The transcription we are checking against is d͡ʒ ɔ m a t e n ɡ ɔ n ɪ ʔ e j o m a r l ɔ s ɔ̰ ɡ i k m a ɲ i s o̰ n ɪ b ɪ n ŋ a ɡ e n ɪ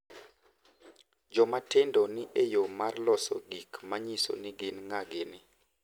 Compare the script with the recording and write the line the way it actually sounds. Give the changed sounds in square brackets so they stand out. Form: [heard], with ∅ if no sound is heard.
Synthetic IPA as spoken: d͡ʒ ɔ m a t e n [d] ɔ n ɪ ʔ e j o m a r l ɔ s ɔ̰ ɡ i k m a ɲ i s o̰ n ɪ [ɡ] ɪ n ŋ a ɡ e n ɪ